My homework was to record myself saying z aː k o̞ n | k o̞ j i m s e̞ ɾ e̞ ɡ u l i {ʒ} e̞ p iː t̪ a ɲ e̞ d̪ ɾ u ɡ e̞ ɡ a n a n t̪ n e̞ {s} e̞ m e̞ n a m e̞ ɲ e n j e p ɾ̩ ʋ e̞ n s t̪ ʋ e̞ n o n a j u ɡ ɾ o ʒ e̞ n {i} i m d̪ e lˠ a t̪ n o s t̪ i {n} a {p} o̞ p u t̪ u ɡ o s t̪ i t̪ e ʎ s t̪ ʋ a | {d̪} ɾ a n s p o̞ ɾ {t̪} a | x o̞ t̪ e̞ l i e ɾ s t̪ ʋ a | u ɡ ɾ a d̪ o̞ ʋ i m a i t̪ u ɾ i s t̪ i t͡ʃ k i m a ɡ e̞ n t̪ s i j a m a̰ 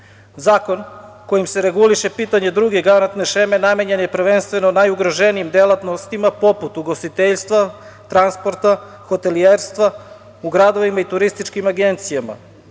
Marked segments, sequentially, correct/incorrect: incorrect, incorrect, correct, incorrect, correct, incorrect, correct

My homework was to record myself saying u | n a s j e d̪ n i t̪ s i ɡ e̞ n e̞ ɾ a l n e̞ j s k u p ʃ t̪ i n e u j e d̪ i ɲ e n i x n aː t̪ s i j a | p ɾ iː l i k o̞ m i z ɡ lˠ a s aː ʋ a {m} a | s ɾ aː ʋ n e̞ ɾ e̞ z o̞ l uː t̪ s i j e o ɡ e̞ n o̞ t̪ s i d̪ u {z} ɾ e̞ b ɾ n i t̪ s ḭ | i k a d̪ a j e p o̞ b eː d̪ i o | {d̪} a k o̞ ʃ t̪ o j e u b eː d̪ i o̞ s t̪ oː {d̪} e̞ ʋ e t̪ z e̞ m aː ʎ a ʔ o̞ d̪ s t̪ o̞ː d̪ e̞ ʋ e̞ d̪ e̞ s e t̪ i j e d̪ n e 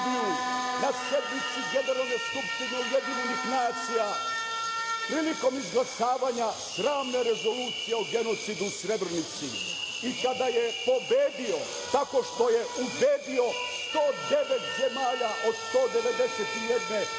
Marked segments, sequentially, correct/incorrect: incorrect, incorrect, incorrect, correct

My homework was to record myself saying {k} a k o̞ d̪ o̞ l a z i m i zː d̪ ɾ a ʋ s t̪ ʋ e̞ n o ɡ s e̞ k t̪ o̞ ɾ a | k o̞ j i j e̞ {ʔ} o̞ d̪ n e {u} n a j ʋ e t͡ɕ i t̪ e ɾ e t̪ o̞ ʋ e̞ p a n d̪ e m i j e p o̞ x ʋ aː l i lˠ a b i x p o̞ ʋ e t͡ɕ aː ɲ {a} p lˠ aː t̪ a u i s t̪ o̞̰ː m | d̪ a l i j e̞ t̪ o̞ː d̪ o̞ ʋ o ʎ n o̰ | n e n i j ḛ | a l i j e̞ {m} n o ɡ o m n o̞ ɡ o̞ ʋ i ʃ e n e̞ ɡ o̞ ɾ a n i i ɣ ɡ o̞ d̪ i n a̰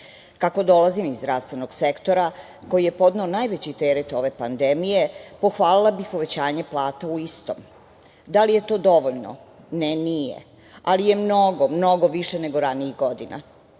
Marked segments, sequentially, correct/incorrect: correct, incorrect, incorrect, incorrect, correct

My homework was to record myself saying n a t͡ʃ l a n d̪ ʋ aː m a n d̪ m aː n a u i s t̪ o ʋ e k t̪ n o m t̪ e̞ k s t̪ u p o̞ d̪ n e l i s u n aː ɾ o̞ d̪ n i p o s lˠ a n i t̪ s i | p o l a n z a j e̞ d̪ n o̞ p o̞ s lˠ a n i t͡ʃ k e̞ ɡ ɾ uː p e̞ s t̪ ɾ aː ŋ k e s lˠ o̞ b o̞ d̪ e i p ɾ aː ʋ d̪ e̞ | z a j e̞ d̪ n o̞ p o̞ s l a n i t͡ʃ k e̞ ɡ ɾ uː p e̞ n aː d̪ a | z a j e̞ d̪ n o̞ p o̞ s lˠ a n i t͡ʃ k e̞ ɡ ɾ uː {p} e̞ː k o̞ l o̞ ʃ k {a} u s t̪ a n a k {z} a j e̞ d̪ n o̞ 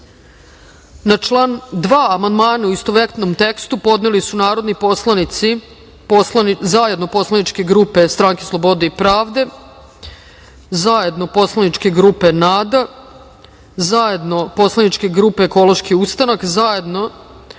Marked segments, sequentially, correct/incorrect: correct, incorrect, correct

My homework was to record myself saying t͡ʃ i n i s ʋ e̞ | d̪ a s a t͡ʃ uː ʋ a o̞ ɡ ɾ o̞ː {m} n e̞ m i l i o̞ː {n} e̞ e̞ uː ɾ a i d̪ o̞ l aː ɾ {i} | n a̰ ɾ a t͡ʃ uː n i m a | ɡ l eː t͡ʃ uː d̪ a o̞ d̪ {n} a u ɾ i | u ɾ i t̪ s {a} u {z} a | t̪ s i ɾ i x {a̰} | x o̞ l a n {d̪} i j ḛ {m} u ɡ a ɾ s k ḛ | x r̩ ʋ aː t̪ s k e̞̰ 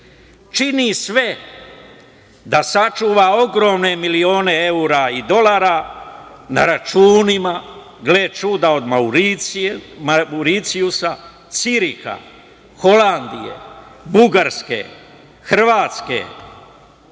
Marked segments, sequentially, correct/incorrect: correct, correct, incorrect, incorrect, incorrect, incorrect, correct, correct, incorrect

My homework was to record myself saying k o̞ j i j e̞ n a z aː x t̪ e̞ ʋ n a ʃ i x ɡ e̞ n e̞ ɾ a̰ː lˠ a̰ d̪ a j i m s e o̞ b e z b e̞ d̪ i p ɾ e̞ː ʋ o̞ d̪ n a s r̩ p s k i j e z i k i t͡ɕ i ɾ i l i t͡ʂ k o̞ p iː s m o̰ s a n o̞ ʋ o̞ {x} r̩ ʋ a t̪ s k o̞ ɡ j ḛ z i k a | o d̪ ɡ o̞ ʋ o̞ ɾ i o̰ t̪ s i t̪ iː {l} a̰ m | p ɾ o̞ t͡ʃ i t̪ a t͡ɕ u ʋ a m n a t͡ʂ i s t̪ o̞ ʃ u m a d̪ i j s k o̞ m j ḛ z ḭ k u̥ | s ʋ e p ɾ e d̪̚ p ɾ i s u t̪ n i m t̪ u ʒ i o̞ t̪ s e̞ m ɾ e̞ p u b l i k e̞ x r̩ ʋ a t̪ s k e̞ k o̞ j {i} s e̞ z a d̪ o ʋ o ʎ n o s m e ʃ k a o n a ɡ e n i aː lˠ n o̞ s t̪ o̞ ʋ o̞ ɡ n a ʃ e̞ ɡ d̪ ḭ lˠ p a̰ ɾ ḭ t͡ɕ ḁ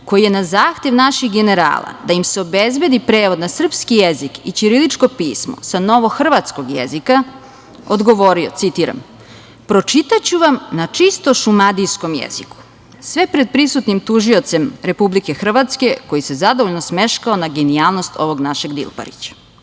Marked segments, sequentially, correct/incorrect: correct, incorrect, correct

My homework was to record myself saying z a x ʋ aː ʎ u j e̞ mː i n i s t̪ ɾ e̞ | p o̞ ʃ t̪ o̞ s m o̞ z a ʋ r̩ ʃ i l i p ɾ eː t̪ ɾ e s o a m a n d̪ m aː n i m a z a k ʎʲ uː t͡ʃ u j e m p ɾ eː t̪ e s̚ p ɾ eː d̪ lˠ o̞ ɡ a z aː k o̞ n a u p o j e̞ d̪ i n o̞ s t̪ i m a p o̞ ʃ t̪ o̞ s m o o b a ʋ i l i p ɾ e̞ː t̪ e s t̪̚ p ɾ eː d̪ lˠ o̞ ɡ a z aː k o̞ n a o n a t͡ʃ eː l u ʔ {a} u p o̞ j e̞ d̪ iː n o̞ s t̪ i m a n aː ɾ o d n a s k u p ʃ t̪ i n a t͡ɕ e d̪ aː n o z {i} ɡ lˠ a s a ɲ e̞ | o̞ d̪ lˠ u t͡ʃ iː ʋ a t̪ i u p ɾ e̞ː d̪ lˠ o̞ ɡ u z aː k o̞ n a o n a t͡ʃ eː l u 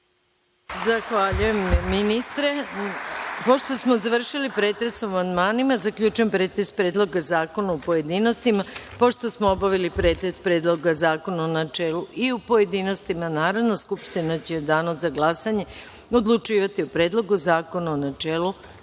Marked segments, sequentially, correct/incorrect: incorrect, incorrect

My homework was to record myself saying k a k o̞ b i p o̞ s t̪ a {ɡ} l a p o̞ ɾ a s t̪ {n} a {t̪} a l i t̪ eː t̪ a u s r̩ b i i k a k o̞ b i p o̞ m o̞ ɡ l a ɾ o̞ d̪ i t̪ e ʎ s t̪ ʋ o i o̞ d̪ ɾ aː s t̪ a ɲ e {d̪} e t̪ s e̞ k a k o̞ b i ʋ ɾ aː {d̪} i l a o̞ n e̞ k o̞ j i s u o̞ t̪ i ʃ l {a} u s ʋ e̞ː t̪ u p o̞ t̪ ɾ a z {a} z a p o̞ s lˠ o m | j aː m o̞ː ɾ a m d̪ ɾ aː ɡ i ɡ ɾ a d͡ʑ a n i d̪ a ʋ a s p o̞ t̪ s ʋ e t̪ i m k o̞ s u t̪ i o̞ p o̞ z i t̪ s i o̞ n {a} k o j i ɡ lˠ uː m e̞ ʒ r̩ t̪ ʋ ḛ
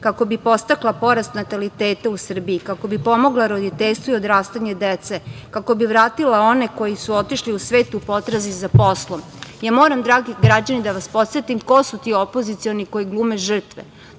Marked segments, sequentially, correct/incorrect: incorrect, correct, correct, correct, incorrect, incorrect, incorrect, incorrect

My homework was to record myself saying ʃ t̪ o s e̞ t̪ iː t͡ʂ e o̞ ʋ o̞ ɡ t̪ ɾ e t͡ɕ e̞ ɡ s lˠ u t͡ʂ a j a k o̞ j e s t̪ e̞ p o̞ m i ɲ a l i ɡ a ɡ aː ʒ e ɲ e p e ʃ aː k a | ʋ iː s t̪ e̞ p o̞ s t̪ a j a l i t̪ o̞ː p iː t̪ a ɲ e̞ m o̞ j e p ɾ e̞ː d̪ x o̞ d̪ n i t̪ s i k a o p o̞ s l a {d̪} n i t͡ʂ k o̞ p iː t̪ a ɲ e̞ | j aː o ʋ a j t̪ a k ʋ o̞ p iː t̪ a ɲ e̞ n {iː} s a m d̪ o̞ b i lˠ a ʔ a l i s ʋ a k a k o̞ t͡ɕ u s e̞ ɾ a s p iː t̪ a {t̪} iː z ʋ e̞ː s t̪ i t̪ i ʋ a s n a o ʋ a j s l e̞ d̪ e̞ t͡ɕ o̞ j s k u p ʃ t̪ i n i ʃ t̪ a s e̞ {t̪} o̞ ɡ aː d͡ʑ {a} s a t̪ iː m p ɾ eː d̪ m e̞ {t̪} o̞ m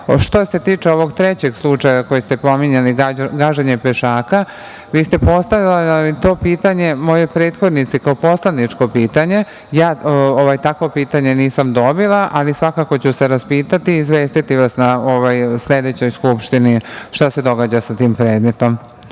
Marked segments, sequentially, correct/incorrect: correct, correct, correct, incorrect, correct, correct

